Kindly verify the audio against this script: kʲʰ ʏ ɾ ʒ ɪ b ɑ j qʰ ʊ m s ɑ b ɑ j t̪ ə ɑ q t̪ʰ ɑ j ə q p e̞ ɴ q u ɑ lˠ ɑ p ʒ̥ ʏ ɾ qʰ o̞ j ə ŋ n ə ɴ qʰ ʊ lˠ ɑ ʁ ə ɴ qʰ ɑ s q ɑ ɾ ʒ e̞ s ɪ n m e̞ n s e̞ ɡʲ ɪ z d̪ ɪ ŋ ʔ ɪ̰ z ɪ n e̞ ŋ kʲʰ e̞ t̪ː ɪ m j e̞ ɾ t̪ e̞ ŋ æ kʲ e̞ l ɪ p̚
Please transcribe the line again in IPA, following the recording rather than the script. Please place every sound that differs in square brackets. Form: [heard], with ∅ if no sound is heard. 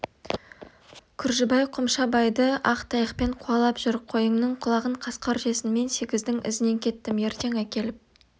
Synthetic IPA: kʲʰ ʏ ɾ ʒ ɪ b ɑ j qʰ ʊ m [ʃ] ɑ b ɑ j [d̪] ə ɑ q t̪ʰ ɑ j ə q p e̞ ɴ [qʰ] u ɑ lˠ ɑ p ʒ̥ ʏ ɾ qʰ o̞ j ə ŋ n ə ɴ qʰ ʊ lˠ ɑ ʁ ə ɴ qʰ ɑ s q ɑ ɾ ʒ e̞ s ɪ n m e̞ n s e̞ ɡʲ ɪ z d̪ ɪ ŋ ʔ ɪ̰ z ɪ n e̞ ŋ kʲʰ e̞ t̪ː ɪ m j e̞ ɾ t̪ e̞ ŋ æ kʲ e̞ l ɪ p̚